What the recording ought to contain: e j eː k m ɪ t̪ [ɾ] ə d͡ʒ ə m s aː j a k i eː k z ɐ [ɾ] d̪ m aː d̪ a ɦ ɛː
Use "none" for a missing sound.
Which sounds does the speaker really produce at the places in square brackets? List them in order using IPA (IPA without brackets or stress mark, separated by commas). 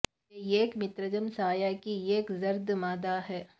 ɾ, ɾ